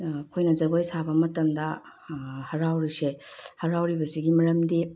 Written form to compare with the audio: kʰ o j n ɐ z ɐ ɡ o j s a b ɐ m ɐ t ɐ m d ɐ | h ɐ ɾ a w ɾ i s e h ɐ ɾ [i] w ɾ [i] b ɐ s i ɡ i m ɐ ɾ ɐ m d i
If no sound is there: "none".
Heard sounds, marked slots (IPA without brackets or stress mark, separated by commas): a, i